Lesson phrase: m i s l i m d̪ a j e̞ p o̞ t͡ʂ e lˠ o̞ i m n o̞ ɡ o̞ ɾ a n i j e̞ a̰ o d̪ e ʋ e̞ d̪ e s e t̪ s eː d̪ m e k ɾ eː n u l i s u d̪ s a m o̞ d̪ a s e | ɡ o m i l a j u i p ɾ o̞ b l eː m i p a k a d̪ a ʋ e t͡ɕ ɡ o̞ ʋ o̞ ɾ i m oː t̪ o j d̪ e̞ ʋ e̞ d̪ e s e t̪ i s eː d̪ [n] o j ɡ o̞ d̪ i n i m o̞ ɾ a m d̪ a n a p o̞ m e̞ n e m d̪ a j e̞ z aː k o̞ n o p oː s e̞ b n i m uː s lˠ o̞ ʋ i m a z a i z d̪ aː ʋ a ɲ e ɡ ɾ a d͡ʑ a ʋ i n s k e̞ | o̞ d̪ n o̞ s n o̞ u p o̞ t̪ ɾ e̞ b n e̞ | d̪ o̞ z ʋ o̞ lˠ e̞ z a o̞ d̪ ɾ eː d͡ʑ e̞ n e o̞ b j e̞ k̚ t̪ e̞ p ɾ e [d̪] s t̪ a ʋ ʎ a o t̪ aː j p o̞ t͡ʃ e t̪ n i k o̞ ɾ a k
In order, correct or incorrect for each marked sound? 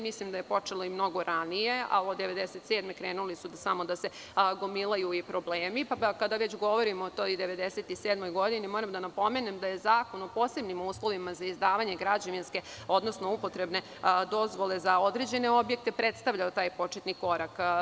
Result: incorrect: m, incorrect: t̪

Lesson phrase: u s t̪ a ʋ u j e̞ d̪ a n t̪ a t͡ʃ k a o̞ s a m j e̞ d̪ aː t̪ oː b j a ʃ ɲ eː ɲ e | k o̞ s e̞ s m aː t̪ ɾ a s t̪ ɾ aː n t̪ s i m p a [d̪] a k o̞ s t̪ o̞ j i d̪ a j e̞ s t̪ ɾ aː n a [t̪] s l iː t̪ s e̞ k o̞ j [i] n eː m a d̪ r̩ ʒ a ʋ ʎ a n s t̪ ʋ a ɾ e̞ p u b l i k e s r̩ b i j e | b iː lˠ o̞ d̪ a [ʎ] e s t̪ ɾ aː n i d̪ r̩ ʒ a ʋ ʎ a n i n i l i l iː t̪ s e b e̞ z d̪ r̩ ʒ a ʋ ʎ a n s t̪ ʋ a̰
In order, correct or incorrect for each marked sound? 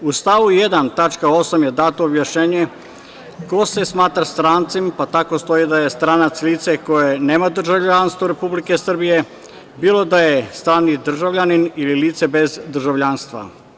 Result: incorrect: t̪, correct, incorrect: e, incorrect: j

